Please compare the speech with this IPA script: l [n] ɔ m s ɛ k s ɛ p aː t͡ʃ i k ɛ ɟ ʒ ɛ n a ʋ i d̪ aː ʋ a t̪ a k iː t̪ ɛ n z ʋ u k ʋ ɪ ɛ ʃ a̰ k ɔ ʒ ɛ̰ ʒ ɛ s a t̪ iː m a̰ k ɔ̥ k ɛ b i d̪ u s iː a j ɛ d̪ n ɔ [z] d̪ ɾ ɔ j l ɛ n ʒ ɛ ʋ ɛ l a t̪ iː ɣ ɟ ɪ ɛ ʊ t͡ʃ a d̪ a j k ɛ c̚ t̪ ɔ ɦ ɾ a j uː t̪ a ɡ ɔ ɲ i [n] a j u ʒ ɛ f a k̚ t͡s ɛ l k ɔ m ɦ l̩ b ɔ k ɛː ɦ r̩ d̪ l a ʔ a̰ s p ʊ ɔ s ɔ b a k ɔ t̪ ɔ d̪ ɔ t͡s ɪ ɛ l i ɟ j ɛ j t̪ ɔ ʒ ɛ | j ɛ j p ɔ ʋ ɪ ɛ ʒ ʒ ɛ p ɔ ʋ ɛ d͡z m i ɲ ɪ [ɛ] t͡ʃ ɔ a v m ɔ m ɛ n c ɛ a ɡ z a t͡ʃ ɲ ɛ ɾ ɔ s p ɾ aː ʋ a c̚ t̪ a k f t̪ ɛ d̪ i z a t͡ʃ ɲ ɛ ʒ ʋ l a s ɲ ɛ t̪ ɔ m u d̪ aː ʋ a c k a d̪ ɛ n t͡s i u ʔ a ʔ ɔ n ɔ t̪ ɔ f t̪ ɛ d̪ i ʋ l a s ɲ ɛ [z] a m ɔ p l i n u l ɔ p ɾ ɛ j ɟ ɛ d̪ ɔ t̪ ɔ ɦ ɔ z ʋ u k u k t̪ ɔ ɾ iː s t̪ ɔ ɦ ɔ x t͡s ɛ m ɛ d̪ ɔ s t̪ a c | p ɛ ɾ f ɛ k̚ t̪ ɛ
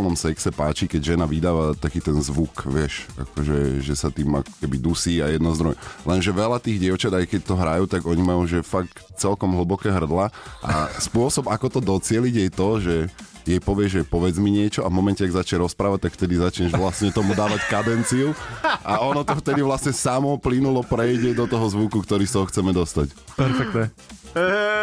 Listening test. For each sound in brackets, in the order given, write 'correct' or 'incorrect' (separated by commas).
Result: correct, correct, incorrect, correct, incorrect